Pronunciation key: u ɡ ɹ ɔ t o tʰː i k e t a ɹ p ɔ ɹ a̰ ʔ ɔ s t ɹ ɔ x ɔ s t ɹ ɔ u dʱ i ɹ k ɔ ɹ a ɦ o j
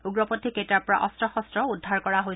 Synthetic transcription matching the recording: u ɡ ɹ ɔ p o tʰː i k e t a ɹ p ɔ ɹ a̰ ʔ ɔ s t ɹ ɔ x ɔ s t ɹ ɔ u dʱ a ɹ k ɔ ɹ a ɦ o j